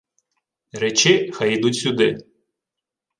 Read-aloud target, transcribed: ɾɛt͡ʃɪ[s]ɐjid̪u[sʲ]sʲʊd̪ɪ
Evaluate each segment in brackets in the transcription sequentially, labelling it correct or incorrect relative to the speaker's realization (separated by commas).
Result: incorrect, incorrect